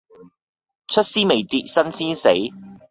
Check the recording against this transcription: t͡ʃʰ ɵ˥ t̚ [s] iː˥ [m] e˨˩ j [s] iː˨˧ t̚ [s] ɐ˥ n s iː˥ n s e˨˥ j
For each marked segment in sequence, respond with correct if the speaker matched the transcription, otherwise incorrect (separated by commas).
correct, correct, incorrect, correct